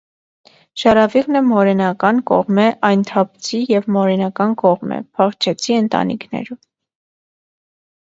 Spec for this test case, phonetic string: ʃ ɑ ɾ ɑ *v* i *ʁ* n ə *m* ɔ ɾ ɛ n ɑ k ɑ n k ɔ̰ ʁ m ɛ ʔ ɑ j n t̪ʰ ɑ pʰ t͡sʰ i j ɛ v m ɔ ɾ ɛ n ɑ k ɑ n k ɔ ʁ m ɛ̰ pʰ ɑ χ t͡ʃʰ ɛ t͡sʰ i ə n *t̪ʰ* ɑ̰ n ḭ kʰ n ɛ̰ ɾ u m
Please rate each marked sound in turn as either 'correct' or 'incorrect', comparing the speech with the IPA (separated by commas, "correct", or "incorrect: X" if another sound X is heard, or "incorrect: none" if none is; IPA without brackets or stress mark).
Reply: correct, correct, correct, incorrect: t̪